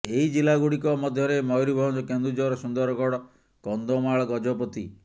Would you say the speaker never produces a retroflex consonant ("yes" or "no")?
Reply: no